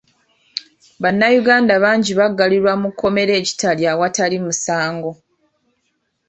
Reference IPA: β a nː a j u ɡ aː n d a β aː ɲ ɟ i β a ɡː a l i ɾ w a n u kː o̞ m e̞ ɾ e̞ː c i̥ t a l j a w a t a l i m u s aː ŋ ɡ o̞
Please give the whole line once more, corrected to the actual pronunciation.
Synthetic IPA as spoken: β a nː a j u ɡ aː n d a β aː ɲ ɟ i β a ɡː a l i ɾ w a m u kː o̞ m e̞ ɾ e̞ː c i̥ t a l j a w a t a l i m u s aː ŋ ɡ o̞